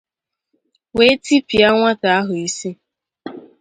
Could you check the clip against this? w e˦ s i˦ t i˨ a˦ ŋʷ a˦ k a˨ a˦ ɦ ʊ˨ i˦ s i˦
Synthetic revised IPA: w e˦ t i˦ p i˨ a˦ ŋʷ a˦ t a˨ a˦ ɦ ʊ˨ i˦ s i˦